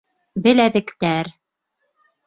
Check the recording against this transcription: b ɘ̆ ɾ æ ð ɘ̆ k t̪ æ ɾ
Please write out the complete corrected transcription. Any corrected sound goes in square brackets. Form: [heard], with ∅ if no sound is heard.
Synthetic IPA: b ɘ̆ [l] æ ð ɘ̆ k t̪ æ ɾ